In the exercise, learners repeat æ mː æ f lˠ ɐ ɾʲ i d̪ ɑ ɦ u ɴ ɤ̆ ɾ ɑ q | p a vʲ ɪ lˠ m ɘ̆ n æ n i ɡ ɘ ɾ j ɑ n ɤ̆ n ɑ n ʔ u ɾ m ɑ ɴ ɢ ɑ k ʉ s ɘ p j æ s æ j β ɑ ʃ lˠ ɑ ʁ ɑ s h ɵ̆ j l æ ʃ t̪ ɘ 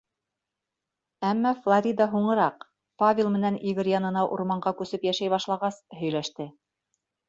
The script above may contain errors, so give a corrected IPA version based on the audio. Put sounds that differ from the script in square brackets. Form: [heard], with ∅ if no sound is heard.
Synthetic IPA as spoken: æ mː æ f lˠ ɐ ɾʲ i d̪ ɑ ɦ u ɴ ɤ̆ ɾ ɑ q | p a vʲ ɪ lˠ m ɘ̆ n æ n i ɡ ɘ ɾ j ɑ n ɤ̆ n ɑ [∅] ʔ u ɾ m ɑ ɴ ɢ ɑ k ʉ s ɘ p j æ [ʃ] æ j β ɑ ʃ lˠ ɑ ʁ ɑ s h ɵ̆ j l æ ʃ t̪ ɘ